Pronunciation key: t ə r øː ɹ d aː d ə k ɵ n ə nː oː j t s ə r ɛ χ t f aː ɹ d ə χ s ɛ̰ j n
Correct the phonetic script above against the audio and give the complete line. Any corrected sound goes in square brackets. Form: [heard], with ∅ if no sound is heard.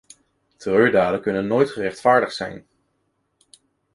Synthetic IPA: t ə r øː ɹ d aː d ə k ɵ n ə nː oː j t [χ] ə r ɛ χ t f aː ɹ d ə χ s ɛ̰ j n